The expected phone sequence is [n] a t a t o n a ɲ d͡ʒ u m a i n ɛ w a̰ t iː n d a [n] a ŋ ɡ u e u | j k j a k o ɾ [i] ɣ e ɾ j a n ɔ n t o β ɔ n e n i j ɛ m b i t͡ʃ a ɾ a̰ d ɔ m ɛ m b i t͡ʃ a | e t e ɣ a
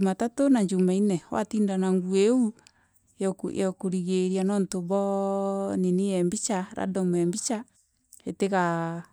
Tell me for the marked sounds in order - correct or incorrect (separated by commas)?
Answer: incorrect, correct, correct